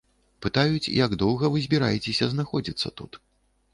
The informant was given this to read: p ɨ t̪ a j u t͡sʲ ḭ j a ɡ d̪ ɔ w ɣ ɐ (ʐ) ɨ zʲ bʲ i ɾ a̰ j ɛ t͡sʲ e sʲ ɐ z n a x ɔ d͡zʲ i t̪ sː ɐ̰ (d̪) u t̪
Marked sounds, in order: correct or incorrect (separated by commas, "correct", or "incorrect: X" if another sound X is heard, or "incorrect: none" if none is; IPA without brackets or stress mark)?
incorrect: v, incorrect: t̪